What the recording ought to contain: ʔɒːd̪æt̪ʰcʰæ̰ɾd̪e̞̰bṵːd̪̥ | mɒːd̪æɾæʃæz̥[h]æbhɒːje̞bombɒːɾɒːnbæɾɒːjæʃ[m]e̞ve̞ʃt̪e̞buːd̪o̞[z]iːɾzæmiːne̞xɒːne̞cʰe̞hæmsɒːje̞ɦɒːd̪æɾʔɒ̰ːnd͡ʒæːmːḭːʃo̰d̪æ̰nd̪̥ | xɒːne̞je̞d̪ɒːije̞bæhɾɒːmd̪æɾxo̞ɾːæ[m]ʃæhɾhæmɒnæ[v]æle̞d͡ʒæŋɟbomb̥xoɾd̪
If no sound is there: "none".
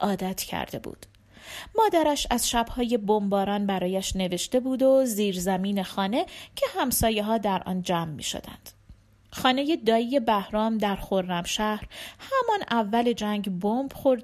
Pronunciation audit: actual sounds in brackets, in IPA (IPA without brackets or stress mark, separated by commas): ʃ, n, z, m, vː